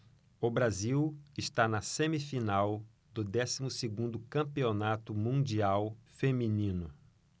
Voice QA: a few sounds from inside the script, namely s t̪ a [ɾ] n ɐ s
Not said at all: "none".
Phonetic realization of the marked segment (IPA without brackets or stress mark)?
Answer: none